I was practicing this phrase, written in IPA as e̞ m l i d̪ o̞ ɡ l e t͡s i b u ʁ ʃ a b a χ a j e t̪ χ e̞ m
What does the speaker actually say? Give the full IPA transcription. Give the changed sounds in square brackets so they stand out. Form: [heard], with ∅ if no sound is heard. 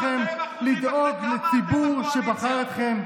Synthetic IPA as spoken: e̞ m l i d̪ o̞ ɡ l e t͡s i b u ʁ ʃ [e] b a χ a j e t̪ χ e̞ m